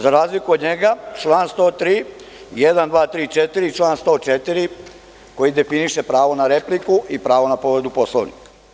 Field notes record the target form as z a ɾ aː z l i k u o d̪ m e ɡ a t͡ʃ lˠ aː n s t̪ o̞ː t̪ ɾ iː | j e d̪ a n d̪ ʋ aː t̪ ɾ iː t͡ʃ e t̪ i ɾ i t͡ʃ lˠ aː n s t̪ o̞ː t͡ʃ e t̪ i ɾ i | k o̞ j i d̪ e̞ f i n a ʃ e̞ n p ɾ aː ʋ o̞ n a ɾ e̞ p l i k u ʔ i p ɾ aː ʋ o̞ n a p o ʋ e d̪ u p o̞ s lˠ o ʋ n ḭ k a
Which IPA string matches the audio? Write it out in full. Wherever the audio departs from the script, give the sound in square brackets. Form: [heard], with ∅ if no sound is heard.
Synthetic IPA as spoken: z a ɾ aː z l i k u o d̪ [ɲ] e ɡ a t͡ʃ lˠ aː n s t̪ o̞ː t̪ ɾ iː | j e d̪ a n d̪ ʋ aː t̪ ɾ iː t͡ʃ e t̪ i ɾ i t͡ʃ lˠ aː n s t̪ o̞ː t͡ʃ e t̪ i ɾ i | k o̞ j i d̪ e̞ f i n [i] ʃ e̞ [∅] p ɾ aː ʋ o̞ n a ɾ e̞ p l i k u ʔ i p ɾ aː ʋ o̞ n a p o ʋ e d̪ u p o̞ s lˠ o ʋ n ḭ k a